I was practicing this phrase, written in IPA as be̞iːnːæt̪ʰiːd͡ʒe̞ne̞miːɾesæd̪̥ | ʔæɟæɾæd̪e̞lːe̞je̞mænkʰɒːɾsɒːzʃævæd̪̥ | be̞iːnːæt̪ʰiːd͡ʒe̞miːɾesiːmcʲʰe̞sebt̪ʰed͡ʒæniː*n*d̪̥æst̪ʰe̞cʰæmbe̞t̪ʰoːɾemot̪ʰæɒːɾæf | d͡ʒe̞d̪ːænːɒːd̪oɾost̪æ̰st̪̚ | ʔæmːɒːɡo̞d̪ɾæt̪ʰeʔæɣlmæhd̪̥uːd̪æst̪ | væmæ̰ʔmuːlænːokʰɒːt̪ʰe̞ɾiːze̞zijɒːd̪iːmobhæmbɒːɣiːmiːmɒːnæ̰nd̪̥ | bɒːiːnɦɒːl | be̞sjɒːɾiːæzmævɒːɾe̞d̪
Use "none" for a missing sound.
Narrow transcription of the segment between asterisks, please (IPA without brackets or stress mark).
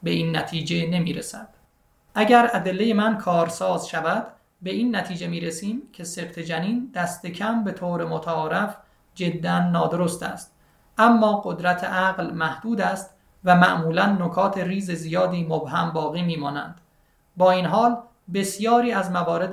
n